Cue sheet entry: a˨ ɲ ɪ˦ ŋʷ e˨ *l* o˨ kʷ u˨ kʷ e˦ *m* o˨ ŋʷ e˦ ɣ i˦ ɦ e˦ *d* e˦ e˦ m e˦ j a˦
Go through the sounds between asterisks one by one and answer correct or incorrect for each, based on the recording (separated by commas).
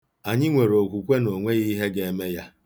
incorrect, incorrect, incorrect